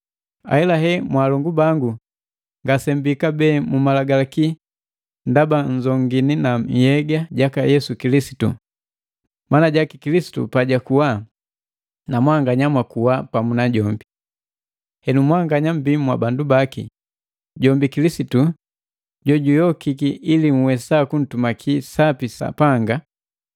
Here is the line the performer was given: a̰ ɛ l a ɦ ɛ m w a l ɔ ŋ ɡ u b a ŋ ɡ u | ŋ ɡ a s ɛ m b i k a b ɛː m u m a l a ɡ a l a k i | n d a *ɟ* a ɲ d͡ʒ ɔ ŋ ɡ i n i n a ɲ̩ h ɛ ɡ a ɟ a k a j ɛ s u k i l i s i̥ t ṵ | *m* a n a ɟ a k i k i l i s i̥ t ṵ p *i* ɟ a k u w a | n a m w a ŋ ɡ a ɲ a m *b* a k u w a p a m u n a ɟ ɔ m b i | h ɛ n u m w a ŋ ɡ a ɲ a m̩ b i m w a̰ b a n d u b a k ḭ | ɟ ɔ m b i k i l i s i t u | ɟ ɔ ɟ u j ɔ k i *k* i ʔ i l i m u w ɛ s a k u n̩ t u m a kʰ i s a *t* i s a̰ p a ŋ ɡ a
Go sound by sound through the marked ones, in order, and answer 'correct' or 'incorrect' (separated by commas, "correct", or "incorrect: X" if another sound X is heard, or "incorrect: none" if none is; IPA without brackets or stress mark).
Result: incorrect: b, correct, incorrect: a, incorrect: w, correct, incorrect: p